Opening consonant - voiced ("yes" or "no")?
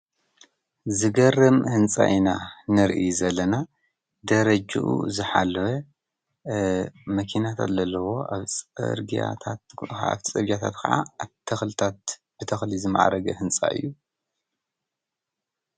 yes